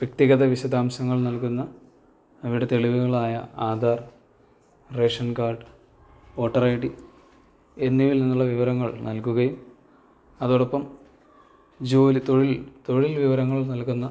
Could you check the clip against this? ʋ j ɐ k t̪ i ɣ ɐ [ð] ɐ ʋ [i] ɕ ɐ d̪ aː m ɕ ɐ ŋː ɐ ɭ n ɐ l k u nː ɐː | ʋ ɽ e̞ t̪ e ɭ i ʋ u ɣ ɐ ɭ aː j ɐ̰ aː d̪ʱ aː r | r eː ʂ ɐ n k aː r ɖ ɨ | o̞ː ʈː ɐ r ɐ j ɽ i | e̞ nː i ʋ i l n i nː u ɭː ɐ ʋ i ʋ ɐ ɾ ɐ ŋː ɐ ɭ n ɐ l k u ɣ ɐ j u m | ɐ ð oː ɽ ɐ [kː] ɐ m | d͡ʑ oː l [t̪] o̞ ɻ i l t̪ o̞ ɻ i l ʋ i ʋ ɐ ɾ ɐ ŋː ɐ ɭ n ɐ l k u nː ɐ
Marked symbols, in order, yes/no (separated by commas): yes, yes, no, yes